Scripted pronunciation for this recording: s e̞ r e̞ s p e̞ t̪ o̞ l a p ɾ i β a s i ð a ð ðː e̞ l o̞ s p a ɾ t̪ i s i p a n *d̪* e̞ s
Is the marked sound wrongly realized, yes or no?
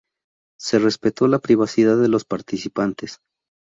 yes